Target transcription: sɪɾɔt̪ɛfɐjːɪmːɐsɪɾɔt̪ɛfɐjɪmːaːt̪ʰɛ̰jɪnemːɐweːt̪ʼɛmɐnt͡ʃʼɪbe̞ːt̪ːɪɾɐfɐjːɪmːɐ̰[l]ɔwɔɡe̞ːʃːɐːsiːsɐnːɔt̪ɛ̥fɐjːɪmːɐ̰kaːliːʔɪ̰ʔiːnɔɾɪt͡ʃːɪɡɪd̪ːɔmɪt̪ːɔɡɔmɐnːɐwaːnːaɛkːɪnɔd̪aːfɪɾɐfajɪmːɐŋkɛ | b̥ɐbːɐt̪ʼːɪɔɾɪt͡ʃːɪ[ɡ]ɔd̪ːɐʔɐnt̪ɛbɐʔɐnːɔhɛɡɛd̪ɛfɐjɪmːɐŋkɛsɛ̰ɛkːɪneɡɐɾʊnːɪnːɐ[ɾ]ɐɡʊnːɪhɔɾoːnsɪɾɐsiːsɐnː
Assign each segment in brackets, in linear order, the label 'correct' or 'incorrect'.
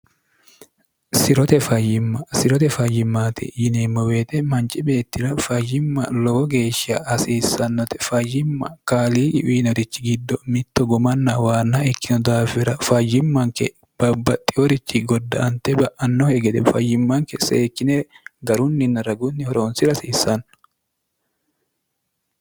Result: correct, correct, correct

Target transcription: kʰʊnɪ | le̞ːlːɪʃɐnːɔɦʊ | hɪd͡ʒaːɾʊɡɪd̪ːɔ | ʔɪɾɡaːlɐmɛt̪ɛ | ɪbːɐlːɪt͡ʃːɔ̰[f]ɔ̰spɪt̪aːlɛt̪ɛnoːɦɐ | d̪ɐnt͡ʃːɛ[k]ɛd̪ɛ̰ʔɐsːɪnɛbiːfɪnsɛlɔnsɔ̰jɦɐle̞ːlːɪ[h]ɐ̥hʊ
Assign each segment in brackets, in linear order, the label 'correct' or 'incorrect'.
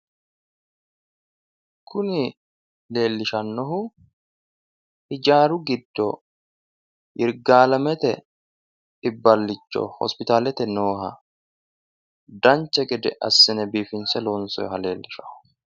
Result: incorrect: h, incorrect: ɡ, incorrect: ʃ

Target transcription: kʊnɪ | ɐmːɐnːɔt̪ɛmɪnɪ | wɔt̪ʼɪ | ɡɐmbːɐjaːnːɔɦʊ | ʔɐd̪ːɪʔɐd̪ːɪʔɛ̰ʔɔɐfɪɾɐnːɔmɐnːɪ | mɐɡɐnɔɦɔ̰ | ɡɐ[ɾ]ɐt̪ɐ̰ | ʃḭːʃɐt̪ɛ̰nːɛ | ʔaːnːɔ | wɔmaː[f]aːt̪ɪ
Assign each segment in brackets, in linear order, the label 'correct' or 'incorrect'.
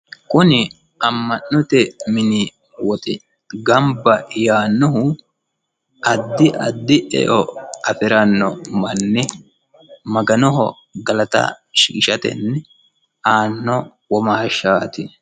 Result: incorrect: l, incorrect: ʃ

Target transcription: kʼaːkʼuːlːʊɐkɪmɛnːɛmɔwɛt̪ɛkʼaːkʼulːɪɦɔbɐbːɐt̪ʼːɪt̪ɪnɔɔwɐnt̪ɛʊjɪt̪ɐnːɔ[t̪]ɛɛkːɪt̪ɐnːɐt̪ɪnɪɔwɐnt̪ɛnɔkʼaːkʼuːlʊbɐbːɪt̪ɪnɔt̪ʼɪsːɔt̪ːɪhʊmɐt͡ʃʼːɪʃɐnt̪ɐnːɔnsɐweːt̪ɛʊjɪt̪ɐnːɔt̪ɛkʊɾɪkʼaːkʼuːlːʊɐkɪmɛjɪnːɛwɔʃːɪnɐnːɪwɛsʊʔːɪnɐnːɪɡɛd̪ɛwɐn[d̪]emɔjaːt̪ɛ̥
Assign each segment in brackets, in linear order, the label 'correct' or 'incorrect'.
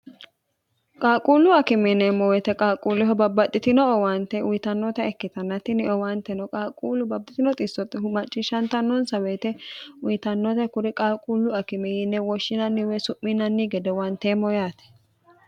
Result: correct, incorrect: t̪

